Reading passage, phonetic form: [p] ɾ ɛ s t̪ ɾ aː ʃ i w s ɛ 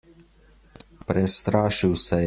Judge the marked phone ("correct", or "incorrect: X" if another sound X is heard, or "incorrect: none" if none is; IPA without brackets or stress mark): correct